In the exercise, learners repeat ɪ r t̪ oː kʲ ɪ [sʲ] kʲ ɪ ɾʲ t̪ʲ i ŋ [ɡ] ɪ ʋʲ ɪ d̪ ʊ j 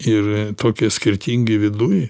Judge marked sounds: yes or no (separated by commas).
yes, yes